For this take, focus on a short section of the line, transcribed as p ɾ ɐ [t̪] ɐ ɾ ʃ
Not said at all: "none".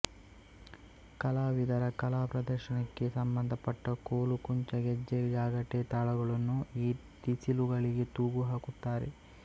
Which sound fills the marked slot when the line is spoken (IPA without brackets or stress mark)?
d̪